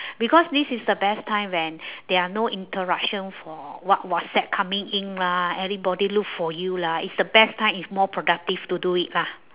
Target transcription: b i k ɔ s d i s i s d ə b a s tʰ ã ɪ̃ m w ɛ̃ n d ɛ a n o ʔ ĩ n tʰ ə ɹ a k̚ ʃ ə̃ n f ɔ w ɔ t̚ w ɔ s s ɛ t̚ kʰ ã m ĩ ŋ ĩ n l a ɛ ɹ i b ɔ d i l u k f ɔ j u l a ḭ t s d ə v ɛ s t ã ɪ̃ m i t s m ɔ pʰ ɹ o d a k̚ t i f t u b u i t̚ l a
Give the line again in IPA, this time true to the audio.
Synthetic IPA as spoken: b i k ɔ s d i s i s d ə b ɛ s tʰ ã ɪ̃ m w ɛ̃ n d ɛ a n o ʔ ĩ n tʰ ə ɹ a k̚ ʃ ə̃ n f ɔ w ɔ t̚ w ɔ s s ɛ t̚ kʰ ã m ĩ ŋ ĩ n l a ɛ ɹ i b ɔ d i l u k f ɔ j u l a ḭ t s d ə b ɛ s t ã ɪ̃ m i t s m ɔ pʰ ɹ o d a k̚ t i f t u d u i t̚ l a